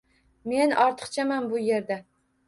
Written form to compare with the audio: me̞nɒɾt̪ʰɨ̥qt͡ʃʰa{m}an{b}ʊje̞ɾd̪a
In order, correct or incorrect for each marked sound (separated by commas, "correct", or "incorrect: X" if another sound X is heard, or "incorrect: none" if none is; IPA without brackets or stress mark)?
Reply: correct, correct